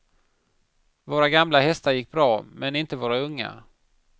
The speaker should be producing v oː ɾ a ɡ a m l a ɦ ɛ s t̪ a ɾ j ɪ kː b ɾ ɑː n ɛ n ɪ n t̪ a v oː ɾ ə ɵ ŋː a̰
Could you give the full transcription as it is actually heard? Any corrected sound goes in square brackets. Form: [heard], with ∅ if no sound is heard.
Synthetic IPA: v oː ɾ a ɡ a m l a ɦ ɛ s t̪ a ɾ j ɪ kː b ɾ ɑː [m] ɛ n ɪ n t̪ [ə] v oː ɾ [a] ɵ ŋː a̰